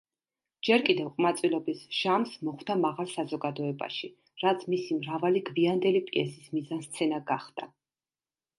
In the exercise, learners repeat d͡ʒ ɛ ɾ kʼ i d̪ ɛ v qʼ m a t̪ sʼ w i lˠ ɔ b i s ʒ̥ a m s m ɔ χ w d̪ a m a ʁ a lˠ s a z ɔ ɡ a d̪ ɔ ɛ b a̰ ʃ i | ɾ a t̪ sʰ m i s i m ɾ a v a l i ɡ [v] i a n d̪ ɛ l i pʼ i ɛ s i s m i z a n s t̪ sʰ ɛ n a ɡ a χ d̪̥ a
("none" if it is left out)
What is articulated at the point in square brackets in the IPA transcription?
v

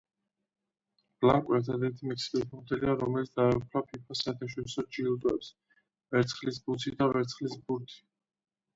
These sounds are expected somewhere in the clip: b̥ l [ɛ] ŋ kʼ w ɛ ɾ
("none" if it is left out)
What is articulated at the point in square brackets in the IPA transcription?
a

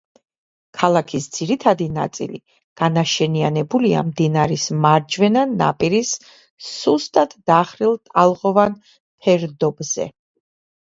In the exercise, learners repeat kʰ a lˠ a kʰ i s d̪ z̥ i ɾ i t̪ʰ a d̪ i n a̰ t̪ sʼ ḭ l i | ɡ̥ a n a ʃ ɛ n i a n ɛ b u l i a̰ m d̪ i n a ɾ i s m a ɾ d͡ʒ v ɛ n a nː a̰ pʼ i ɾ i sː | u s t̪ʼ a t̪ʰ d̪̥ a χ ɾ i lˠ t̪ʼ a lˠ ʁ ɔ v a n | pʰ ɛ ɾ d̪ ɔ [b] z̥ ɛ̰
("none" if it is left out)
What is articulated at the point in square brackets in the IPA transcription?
b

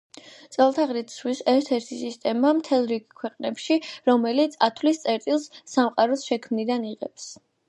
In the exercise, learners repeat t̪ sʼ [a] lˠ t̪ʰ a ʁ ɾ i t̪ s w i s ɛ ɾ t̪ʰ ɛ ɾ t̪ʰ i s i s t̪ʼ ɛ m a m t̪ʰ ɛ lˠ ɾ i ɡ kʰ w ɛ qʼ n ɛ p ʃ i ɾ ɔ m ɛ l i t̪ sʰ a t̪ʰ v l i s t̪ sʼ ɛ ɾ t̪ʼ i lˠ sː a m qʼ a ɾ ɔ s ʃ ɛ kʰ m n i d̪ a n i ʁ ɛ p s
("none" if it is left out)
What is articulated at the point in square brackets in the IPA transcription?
ɛ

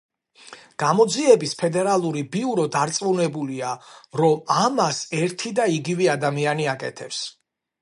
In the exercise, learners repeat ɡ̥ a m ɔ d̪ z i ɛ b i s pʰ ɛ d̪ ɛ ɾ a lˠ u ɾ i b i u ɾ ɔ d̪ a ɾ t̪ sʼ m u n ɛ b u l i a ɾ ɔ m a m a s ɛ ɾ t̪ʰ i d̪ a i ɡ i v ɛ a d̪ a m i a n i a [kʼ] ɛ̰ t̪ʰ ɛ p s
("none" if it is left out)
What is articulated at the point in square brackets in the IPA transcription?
kʼ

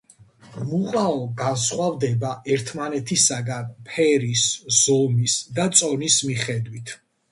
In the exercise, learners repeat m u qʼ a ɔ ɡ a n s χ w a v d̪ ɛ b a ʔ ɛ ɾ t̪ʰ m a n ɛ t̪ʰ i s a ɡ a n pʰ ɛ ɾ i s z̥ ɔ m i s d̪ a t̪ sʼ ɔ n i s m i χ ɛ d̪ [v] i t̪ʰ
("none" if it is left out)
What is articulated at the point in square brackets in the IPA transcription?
w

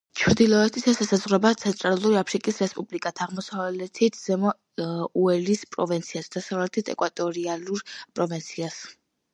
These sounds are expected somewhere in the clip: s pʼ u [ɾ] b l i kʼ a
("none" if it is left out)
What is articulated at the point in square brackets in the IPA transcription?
none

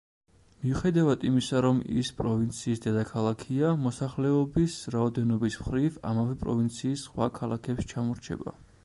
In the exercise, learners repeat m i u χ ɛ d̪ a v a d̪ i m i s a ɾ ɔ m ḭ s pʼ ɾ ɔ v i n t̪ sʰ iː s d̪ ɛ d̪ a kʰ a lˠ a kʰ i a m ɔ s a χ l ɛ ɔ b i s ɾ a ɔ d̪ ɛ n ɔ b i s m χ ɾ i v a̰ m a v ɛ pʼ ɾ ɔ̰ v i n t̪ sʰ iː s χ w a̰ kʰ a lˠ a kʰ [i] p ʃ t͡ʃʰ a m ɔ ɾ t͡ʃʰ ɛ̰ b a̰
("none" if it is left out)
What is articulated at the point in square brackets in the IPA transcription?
ɛ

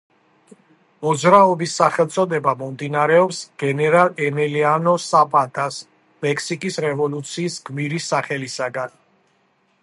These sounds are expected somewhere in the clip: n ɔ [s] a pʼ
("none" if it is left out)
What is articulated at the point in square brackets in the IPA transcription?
s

